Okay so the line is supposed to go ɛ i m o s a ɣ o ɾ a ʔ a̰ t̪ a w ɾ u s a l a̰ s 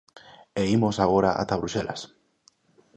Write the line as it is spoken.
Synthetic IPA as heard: e i m o s a ɣ o ɾ a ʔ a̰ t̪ a β ɾ u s e l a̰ s